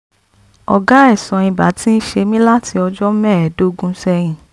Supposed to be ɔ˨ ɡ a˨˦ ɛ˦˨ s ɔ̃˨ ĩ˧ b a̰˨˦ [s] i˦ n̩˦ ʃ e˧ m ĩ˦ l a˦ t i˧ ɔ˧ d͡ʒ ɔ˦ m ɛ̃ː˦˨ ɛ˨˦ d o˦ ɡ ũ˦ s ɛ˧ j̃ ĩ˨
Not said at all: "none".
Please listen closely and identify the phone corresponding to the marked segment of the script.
t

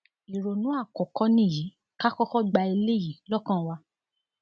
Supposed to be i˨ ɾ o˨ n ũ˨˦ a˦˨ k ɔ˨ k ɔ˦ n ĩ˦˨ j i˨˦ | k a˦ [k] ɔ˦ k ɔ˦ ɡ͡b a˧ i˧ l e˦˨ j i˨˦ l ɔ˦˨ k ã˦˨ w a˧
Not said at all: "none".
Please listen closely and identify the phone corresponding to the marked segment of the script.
k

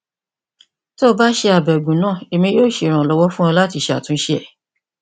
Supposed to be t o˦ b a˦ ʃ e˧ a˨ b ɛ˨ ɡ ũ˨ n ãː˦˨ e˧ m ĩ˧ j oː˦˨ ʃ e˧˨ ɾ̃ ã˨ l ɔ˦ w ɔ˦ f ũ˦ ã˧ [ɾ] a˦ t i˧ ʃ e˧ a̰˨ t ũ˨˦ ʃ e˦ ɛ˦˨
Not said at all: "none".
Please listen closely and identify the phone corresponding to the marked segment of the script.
l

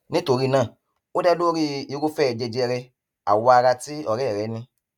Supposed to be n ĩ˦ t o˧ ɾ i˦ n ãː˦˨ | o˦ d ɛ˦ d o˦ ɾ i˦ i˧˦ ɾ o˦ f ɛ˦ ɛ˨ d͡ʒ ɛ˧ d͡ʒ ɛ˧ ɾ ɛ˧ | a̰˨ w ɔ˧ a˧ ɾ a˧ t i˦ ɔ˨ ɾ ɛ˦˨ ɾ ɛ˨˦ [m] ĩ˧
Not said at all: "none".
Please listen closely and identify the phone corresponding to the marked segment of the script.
n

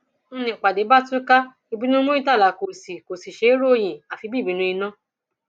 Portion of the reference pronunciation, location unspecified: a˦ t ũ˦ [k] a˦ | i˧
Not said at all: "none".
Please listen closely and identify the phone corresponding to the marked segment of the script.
k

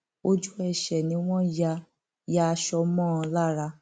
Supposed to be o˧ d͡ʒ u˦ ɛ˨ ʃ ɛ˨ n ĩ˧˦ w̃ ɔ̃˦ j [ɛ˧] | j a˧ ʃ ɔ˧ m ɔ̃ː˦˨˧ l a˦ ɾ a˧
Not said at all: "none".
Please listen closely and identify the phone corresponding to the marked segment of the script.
a˧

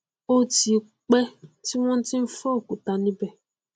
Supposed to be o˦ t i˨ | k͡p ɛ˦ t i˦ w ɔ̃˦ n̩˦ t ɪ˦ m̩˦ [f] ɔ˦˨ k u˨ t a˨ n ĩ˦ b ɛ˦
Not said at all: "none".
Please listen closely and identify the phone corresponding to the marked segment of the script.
f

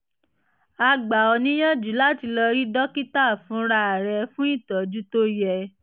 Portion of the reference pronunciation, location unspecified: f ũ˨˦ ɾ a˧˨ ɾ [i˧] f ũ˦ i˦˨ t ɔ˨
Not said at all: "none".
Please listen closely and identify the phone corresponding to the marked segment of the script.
ɛ˧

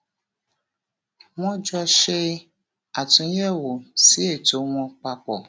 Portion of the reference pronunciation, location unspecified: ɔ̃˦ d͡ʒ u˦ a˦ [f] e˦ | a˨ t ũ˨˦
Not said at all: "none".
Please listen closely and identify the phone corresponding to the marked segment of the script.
ʃ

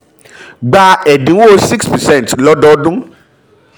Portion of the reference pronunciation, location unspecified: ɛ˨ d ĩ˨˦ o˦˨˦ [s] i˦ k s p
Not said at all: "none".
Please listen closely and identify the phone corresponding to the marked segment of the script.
s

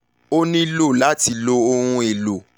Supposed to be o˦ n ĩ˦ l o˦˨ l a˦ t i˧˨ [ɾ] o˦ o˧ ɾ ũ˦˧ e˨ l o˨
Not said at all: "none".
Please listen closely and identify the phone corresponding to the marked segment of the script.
l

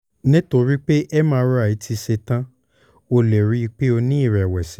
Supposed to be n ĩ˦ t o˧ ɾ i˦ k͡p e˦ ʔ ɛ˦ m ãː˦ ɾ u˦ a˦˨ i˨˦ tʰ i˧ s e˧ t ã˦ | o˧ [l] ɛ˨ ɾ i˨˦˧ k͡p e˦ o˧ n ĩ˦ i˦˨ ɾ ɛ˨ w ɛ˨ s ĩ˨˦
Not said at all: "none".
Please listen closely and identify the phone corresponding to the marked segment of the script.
l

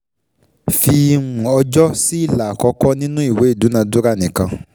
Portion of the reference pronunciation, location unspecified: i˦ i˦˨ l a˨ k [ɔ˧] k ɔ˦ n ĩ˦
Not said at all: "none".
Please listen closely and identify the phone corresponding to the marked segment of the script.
ɔ˧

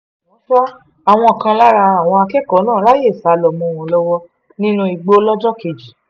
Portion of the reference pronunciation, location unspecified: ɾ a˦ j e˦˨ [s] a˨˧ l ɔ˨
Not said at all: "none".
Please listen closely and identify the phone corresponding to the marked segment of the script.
s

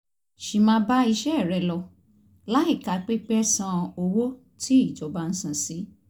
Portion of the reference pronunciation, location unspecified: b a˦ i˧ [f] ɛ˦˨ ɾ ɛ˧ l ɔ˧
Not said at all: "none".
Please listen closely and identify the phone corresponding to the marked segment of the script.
ʃ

